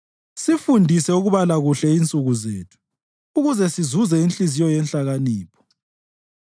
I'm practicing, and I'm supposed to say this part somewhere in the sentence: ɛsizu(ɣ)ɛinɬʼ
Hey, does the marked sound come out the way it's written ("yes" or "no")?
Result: no